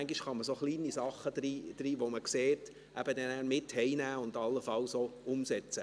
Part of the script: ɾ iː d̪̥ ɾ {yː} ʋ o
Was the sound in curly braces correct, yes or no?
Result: no